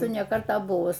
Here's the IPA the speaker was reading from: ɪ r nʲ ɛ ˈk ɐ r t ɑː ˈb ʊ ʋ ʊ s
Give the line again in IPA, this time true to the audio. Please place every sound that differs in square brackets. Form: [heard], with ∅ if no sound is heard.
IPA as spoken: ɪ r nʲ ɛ ˈk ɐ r t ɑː ˈb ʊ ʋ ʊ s